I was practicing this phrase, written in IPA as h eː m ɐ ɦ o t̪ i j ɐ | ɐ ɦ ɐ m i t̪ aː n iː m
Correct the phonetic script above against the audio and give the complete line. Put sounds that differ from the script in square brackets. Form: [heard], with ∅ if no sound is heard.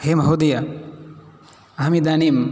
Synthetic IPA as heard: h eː m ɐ ɦ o [d̪] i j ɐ | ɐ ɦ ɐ m i [d̪] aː n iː m